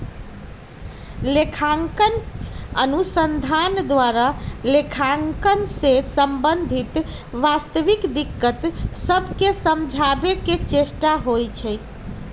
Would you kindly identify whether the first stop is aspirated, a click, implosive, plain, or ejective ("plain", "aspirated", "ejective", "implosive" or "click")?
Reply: aspirated